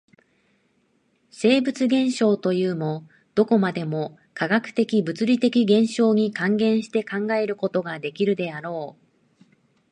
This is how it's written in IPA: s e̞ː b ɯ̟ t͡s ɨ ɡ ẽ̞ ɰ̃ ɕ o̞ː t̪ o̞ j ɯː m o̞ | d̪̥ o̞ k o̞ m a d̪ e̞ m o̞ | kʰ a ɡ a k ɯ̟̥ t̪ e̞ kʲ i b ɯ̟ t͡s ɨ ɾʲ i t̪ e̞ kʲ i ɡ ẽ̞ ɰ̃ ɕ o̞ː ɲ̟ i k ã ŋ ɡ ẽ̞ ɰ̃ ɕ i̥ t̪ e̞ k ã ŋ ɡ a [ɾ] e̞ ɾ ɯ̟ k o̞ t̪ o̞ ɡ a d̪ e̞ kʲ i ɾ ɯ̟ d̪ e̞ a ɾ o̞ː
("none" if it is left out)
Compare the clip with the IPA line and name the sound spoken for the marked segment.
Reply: none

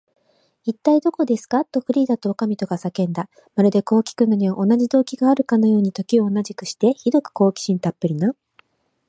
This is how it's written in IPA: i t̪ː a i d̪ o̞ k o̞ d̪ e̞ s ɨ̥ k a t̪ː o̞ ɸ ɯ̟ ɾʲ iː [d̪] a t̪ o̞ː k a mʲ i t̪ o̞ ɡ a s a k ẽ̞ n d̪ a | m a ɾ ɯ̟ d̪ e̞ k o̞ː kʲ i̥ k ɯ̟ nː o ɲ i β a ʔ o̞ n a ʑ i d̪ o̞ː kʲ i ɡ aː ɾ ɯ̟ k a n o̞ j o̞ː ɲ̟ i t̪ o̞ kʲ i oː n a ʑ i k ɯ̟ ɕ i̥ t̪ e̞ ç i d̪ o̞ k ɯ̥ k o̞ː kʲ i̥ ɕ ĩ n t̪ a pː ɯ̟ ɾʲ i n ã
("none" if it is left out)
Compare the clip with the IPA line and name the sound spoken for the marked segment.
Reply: d̪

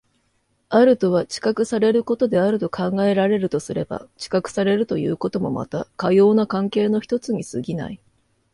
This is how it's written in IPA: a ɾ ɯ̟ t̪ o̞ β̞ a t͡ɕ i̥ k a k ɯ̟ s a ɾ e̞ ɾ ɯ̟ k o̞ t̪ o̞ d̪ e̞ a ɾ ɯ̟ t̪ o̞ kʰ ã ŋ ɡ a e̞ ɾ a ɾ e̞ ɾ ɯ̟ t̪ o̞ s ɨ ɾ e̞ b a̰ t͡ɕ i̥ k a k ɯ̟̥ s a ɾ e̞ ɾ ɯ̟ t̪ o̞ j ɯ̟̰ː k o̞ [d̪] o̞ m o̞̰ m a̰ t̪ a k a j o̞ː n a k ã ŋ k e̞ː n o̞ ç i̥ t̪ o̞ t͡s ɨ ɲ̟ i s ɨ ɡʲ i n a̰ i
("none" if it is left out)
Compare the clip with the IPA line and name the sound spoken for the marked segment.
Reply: t̪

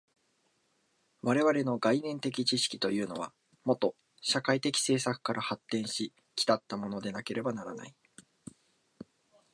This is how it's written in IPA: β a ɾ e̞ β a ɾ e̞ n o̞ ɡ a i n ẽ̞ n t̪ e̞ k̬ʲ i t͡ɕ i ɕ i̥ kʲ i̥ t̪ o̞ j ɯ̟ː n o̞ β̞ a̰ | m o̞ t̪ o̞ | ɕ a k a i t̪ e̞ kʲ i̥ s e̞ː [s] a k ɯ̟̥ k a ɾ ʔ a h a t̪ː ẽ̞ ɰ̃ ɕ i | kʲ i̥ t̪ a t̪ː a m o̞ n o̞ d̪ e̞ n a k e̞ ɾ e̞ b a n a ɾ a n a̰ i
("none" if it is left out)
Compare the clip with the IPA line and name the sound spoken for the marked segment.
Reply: s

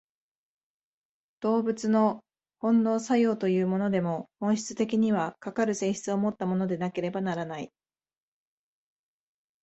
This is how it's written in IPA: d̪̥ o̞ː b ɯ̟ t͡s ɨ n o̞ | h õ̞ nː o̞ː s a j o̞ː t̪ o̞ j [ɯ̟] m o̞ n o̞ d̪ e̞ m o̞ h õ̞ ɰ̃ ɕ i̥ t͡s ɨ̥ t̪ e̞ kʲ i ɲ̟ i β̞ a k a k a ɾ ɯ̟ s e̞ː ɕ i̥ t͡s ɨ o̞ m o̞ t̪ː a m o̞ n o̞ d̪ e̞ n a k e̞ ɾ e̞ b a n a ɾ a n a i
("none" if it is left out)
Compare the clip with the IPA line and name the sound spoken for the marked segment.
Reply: ɯ̟ː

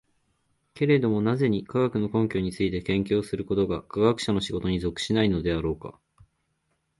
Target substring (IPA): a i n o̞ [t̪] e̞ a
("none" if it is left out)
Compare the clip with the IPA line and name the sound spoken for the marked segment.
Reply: d̪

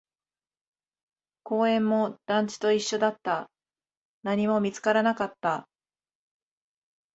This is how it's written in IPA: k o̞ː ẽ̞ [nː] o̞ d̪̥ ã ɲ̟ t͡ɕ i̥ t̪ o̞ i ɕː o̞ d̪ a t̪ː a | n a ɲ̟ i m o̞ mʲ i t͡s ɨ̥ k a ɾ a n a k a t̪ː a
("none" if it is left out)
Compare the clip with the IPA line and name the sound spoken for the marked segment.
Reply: mː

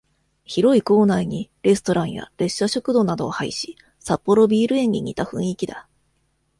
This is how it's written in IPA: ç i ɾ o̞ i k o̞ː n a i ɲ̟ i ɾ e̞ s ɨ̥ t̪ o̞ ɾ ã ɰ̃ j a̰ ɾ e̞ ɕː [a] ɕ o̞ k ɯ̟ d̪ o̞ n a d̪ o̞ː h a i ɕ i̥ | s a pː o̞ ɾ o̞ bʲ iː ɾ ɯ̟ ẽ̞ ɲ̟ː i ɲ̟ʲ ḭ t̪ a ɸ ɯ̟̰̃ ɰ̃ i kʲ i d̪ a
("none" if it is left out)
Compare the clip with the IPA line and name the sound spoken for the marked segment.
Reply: a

